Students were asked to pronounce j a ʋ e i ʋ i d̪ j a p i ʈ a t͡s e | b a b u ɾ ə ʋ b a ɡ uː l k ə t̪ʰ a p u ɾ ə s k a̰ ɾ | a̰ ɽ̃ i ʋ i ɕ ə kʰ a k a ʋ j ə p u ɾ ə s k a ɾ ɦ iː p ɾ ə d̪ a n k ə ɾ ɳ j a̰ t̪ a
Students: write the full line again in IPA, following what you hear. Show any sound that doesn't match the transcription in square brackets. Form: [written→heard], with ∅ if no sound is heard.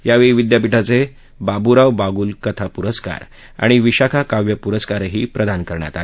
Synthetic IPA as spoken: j a ʋ e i ʋ i d̪ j a p i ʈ a t͡s e | b a b u ɾ [ə→a] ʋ b a ɡ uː l k ə t̪ʰ a p u ɾ ə s k a̰ ɾ | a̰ ɽ̃ i ʋ i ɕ [ə→a] kʰ a k a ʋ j ə p u ɾ ə s k a ɾ ɦ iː p ɾ ə d̪ a n k ə ɾ ɳ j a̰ t̪ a